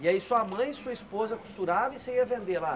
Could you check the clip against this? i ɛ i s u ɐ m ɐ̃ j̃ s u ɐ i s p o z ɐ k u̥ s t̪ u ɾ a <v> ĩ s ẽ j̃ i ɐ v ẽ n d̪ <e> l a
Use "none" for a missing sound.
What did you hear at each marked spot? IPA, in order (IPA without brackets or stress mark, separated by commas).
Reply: v, e